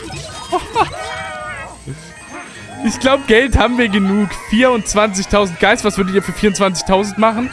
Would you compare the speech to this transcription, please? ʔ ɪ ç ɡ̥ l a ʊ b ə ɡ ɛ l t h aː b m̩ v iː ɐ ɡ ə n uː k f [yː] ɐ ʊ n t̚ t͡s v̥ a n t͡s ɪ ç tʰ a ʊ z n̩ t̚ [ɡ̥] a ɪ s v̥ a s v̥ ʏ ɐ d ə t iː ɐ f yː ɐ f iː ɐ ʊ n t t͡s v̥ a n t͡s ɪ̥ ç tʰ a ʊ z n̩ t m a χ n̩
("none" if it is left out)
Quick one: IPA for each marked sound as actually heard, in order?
iː, ɡ̥

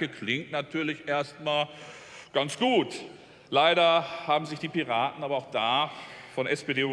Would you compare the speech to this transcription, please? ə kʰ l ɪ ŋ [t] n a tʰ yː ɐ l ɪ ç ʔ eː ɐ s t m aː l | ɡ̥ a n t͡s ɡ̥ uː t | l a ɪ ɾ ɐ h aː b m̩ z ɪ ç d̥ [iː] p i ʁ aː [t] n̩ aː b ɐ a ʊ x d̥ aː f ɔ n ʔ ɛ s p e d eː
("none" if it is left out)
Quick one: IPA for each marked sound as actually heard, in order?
t, iː, t

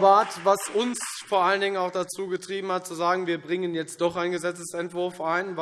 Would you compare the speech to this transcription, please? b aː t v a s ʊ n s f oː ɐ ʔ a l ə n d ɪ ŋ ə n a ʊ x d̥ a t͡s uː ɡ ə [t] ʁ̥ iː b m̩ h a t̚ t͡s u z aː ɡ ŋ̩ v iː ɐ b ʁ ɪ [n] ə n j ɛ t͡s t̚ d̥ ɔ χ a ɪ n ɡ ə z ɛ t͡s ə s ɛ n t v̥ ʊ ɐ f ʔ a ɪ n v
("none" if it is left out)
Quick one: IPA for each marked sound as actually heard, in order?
t, ŋ

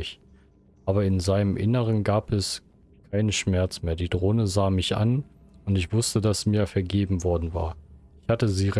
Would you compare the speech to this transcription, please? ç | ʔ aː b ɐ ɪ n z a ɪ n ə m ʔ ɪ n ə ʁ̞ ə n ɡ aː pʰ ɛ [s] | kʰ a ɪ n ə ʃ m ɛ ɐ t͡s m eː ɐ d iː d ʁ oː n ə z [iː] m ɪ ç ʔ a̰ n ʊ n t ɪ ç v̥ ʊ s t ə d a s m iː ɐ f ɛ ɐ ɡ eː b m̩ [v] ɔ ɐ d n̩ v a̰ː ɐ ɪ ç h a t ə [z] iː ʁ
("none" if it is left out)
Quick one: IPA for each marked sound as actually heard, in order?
s, aː, v, z

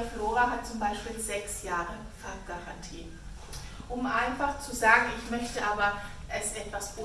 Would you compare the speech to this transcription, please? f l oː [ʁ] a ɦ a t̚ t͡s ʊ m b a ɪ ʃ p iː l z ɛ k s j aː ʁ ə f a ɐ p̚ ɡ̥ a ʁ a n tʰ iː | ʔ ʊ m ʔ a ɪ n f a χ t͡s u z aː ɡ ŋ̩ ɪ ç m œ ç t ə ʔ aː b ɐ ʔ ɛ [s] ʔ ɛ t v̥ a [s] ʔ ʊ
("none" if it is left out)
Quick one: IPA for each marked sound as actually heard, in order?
ʁ, s, s

